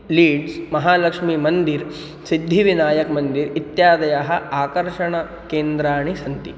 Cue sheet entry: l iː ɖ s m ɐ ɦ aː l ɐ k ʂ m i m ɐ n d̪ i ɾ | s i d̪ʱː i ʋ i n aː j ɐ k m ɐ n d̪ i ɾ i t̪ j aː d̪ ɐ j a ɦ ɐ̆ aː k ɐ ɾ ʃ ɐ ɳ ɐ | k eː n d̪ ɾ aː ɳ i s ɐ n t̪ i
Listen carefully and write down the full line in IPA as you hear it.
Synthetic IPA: l iː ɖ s m ɐ ɦ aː l ɐ k ʂ m i m ɐ n d̪ i ɾ | s i d̪ʱː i ʋ i n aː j ɐ k m ɐ n d̪ i ɾ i t̪ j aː d̪ ɐ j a ɦ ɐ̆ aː k ɐ ɾ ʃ ɐ ɳ ɐ | k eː n d̪ ɾ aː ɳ i s ɐ n t̪ i